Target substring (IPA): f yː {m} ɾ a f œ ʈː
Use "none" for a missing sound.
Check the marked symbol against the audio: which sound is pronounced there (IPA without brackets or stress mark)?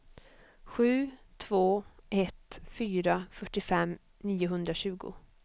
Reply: none